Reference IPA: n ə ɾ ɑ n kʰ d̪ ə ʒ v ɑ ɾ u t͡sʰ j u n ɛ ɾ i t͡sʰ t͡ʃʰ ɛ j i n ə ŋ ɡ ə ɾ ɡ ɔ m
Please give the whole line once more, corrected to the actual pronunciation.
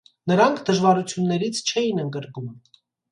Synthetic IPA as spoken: n ə ɾ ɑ ŋ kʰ d̪ ə ʒ v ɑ ɾ u t͡sʰ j u nː ɛ ɾ i t͡sʰ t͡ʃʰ ɛ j i n ə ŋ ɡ ə ɾ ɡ u m